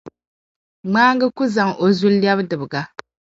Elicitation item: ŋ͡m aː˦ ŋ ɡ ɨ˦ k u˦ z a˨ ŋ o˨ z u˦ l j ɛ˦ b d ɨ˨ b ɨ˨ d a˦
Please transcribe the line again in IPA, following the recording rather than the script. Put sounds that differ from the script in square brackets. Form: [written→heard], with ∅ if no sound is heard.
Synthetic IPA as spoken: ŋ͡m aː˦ ŋ ɡ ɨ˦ k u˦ z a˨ ŋ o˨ z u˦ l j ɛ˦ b d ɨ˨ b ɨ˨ [d→ɡ] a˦